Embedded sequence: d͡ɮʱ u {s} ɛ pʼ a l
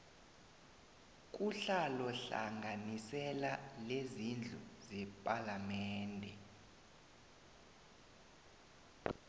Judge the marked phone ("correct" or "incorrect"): incorrect